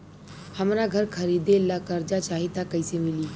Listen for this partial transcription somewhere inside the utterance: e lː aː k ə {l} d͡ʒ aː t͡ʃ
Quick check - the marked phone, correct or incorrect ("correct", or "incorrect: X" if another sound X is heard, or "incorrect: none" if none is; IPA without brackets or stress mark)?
incorrect: ɾ